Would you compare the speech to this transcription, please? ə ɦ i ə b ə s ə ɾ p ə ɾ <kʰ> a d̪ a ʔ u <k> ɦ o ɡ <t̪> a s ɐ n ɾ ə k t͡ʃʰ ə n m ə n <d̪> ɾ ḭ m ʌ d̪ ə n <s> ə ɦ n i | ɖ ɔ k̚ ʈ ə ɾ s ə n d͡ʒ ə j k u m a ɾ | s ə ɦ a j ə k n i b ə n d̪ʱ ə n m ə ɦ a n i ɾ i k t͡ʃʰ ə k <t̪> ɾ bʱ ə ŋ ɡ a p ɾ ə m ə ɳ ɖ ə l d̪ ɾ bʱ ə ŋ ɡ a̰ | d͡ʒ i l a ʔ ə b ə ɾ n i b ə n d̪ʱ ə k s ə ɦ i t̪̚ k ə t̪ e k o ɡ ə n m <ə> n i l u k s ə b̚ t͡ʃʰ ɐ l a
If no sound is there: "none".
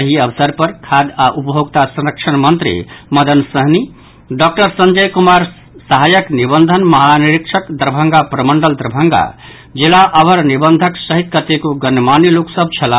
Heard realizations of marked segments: kʰ, p, t̪, t̪, s, d̪, a

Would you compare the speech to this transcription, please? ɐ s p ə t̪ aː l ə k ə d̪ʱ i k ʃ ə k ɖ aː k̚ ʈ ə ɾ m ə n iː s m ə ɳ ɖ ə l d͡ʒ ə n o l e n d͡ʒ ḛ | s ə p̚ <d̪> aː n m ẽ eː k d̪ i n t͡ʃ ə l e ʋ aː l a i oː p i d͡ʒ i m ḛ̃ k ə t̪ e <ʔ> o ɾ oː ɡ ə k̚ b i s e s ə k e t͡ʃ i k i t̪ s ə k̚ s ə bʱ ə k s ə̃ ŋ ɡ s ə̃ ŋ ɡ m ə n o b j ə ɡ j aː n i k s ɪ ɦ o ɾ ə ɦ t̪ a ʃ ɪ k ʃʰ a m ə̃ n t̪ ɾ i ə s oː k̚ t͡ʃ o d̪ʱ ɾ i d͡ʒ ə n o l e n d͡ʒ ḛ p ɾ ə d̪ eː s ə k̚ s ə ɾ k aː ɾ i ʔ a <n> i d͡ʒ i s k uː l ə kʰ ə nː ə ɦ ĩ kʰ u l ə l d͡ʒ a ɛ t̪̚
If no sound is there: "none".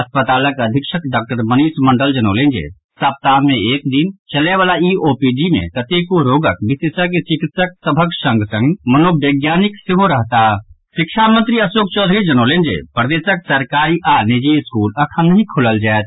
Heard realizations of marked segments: t̪, k, n

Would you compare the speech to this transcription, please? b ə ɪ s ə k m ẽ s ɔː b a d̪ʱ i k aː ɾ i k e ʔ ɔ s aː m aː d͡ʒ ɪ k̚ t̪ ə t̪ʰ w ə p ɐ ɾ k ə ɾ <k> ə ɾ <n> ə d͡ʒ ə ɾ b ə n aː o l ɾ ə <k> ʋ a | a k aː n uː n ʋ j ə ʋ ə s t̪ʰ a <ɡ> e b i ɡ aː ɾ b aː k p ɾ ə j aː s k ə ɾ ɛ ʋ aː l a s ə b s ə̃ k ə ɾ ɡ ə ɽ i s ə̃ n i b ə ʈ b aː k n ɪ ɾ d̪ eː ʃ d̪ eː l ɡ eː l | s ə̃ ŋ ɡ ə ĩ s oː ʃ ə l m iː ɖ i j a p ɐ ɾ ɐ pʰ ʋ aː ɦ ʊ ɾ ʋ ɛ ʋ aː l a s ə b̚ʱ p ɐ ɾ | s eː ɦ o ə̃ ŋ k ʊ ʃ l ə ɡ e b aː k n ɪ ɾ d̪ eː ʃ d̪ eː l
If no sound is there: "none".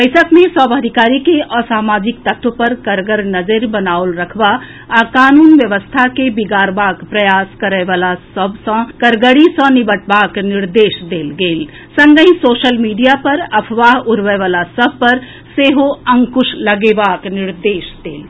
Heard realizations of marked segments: ɡ, n, kʰ, k

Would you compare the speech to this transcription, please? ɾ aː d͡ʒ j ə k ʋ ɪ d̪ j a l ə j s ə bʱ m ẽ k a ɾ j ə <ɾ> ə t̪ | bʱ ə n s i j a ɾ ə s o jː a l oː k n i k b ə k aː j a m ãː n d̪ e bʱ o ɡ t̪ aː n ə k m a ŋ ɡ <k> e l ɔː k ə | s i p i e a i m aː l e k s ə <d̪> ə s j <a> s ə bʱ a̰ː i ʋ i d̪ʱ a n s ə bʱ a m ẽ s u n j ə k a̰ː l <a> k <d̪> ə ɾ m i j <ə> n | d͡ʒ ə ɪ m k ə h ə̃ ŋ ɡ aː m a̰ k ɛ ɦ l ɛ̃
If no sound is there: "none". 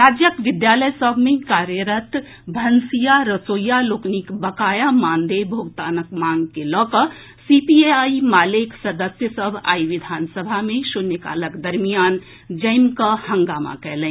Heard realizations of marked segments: ɾ, k, d̪, ə, ə, d̪, a

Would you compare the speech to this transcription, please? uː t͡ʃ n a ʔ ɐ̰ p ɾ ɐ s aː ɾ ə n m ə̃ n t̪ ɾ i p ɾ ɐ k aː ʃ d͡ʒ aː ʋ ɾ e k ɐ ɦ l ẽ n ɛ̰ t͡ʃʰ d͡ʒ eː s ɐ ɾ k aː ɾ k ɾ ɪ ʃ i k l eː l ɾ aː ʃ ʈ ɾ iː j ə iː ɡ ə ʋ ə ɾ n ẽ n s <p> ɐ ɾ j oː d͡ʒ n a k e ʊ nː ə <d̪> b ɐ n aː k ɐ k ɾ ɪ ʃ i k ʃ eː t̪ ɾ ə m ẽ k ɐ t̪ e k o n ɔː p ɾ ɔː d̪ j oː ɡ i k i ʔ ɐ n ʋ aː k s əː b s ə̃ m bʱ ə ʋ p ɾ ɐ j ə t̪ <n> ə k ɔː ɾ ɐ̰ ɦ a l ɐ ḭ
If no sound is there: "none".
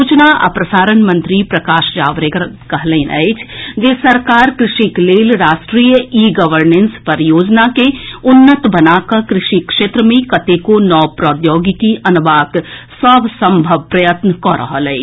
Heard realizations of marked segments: p, t̪, n

